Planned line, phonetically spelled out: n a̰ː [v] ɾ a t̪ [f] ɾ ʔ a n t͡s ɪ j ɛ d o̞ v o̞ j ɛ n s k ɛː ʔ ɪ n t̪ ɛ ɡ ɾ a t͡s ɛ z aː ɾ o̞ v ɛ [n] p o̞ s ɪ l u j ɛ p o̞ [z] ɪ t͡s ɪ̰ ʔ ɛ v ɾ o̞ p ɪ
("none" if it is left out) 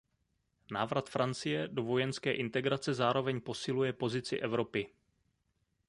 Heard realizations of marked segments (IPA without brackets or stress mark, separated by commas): v, f, ɲ, z